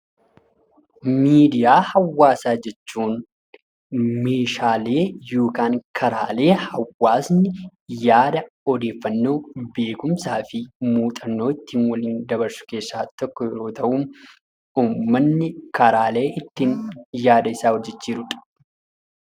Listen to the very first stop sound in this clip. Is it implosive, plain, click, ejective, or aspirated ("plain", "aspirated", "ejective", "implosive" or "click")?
plain